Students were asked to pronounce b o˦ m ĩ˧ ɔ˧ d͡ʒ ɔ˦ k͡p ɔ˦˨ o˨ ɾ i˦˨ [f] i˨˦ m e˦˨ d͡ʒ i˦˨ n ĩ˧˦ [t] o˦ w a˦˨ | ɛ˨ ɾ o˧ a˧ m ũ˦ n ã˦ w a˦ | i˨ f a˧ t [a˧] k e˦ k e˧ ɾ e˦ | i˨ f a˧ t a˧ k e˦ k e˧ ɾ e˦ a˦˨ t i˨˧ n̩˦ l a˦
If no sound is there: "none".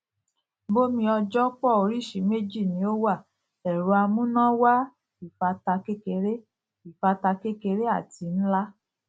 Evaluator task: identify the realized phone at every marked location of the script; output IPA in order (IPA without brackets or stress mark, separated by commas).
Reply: ʃ, none, a˧